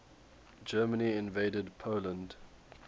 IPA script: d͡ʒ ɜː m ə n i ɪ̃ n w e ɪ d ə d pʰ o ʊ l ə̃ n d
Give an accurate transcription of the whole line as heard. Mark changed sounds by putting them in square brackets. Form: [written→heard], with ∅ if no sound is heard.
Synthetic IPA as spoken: d͡ʒ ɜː m ə n i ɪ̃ n [w→v] e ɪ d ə d pʰ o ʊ l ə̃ n d